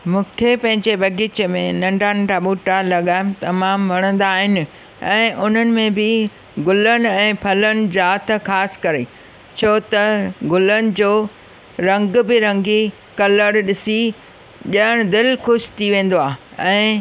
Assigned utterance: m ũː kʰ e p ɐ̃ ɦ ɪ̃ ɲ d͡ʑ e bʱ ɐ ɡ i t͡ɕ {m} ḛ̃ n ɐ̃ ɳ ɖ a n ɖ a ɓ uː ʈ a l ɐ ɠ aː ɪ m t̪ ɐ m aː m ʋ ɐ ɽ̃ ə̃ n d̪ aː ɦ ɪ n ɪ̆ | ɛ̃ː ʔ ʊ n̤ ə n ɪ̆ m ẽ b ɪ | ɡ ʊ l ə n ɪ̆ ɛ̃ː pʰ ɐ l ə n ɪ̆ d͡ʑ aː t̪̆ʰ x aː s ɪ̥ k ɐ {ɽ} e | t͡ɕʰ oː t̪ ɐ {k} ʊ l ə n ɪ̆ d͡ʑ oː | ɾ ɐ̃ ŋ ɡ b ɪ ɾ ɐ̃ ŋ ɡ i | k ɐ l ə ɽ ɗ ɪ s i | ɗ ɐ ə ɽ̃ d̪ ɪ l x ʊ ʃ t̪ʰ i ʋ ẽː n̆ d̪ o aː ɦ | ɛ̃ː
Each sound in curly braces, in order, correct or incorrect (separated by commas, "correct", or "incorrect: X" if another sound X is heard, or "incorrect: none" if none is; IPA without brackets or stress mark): correct, incorrect: ɾ, incorrect: ɡ